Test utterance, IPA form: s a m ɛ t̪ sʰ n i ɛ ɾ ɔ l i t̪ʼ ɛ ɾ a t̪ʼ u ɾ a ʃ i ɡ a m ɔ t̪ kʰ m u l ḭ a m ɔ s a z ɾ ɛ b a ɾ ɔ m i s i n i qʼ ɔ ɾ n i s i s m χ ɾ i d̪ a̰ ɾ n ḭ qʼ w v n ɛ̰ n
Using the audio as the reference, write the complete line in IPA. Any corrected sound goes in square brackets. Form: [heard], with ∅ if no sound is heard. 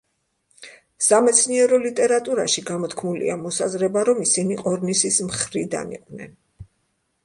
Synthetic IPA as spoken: s a m ɛ t̪ sʰ n i ɛ ɾ ɔ l i t̪ʼ ɛ ɾ a t̪ʼ u ɾ a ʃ i ɡ a m ɔ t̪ kʰ m u l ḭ a m ɔ s a z ɾ ɛ b a ɾ ɔ m i s i n i qʼ ɔ ɾ n i s i s m χ ɾ i d̪ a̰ [∅] n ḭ qʼ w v n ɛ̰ n